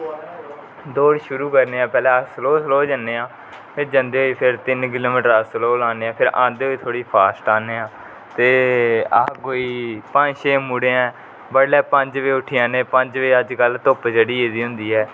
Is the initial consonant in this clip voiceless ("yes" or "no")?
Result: no